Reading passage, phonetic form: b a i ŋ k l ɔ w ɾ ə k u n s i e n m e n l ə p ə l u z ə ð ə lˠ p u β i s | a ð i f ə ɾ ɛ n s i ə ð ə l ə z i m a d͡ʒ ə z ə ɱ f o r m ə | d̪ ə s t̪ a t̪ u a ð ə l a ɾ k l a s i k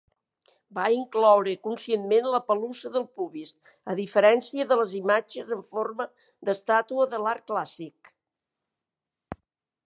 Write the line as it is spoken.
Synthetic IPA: b a i ŋ k l ɔ w ɾ ə k u n s i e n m e n l ə p ə l u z ə ð ə lˠ p u β i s | ə ð i f ə ɾ ɛ n s i ə ð ə l ə z i m a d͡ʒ ə z ə ɱ f o r m ə | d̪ ə s t̪ a t̪ u ə ð ə l a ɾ k l a s i k

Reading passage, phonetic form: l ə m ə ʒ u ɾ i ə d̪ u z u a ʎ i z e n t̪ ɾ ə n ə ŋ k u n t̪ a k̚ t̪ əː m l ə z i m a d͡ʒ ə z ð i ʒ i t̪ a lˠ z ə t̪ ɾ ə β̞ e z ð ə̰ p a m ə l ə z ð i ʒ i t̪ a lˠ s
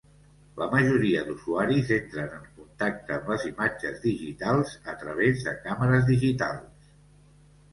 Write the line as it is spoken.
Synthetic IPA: l ə m ə ʒ u ɾ i ə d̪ u z u a ɾ i z e n t̪ ɾ ə n ə ŋ k u n t̪ a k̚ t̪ əː m l ə z i m a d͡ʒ ə z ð i ʒ i t̪ a lˠ z ə t̪ ɾ ə β̞ e z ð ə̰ k a m ə ɾ ə z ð i ʒ i t̪ a lˠ s

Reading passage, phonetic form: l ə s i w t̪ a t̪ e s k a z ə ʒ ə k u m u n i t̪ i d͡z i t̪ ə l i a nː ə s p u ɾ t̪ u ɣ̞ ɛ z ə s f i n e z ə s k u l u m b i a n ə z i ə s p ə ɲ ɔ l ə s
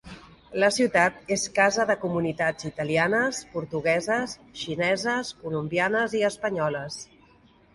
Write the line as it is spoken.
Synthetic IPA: l ə s i w t̪ a t̪ e s k a z ə ð ə k u m u n i t̪ a d͡z i t̪ ə l i a n ə s p u ɾ t̪ u ɣ̞ ɛ z ə s ʃ i n ɛ z ə s k u l u m b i a n ə z i ə s p ə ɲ ɔ l ə s

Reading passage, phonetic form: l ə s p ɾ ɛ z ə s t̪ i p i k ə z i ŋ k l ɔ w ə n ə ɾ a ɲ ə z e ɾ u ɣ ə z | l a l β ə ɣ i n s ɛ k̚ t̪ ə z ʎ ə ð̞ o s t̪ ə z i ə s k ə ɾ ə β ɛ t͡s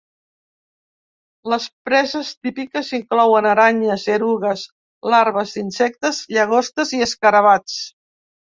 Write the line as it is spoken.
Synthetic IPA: l ə s p ɾ ɛ z ə s t̪ i p i k ə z i ŋ k l ɔ w ə n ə ɾ a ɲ ə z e ɾ u ɣ ə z | l a ɾ β ə z i n s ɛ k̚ t̪ ə z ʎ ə ɣ̞ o s t̪ ə z i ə s k ə ɾ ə β a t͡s

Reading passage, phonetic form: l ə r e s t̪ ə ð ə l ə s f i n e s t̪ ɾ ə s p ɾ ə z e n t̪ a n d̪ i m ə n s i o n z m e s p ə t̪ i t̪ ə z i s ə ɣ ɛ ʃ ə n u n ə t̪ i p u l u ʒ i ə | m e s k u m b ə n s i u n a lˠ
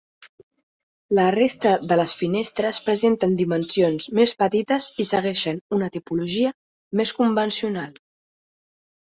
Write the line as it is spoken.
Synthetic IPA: l ə r e s t̪ ə ð ə l ə s f i n e s t̪ ɾ ə s p ɾ ə z e n t̪ ə n d̪ i m ə n s i o n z m e s p ə t̪ i t̪ ə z i s ə ɣ ɛ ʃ ə n u n ə t̪ i p u l u ʒ i ə | m e s k u m b ə n s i u n a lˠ

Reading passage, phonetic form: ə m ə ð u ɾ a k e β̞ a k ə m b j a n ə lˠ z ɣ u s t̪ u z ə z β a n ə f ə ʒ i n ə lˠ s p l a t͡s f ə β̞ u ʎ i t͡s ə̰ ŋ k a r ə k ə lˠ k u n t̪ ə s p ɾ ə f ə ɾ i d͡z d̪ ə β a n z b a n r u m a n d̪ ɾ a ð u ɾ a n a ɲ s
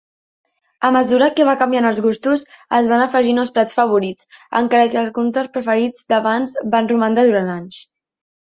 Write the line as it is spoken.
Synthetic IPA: ə m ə z u ɾ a k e β̞ a k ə m b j a n ə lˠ z ɣ u s t̪ u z ə z β a n ə f ə ʒ i n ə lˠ s p l a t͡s f ə β̞ u ɾ i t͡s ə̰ ŋ k a ɾ ə k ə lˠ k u n t̪ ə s p ɾ ə f ə ɾ i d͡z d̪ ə β a n z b a n r u m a n d̪ ɾ a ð u ɾ a n a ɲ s

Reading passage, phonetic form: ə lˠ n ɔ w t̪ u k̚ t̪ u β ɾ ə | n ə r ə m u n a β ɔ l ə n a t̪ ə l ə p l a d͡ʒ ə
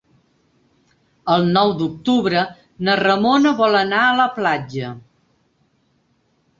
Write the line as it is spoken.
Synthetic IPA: ə lˠ n ɔ w d̪ u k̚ t̪ u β ɾ ə | n ə r ə m o n ə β ɔ l ə n a ə l ə p l a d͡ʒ ə

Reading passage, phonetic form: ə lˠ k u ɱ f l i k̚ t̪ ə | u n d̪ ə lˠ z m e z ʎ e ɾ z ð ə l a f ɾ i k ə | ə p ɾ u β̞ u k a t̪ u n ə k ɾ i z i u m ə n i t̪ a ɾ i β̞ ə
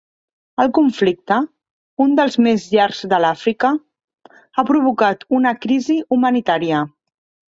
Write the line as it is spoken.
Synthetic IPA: ə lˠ k u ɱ f l i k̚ t̪ ə | u n d̪ ə lˠ z m e z ʎ a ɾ z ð ə l a f ɾ i k ə | a p ɾ u β̞ u k a t̪ u n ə k ɾ i z i u m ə n i t̪ a ɾ i ə

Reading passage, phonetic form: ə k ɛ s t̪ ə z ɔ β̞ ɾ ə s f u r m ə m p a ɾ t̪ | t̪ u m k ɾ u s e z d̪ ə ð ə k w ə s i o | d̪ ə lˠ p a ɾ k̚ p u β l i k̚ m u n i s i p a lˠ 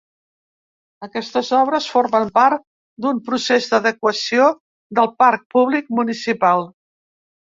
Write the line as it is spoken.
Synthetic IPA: ə k ɛ s t̪ ə z ɔ β̞ ɾ ə s f o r m ə m p a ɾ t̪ | d̪ u m p ɾ u s e z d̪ ə ð ə k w ə s i o | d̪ ə lˠ p a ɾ k̚ p u β l i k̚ m u n i s i p a lˠ

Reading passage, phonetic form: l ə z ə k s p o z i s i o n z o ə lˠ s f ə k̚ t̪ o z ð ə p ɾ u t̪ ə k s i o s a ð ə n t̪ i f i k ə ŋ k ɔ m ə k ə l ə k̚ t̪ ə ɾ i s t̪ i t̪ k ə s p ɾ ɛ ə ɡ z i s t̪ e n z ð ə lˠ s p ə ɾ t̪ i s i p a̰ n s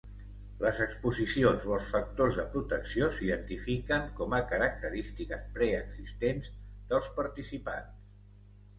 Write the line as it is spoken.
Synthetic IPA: l ə z ə k s p u z i s i o n z o ə lˠ s f ə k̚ t̪ o z ð ə p ɾ u t̪ ə k s i o s i ð ə n t̪ i f i k ə ŋ k ɔ m ə k ə ɾ ə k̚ t̪ ə ɾ i s t̪ i k ə s p ɾ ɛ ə ɡ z i s t̪ e n z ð ə lˠ s p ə ɾ t̪ i s i p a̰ n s

